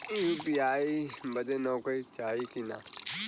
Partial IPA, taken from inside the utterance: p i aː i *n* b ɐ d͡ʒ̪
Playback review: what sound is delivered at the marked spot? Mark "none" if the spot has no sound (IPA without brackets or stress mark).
none